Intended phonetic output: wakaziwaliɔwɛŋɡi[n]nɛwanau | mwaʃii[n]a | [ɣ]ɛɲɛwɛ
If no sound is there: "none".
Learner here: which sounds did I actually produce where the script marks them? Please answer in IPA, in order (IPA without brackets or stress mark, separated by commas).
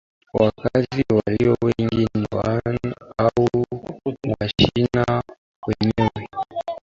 n, n, w